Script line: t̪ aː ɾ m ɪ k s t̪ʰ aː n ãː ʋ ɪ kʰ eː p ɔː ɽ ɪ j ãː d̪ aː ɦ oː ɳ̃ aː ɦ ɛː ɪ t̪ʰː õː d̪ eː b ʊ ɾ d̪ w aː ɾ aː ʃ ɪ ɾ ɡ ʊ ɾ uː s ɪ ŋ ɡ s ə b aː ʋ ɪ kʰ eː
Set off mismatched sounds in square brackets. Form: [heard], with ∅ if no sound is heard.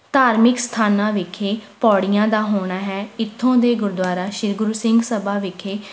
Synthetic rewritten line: t̪ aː ɾ m ɪ k s t̪ʰ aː n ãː ʋ ɪ kʰ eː p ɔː ɽ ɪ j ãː d̪ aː ɦ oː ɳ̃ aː ɦ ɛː ɪ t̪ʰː õː d̪ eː [ɡ] ʊ ɾ d̪ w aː ɾ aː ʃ ɪ ɾ ɡ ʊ ɾ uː s ɪ ŋ ɡ s ə b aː ʋ ɪ kʰ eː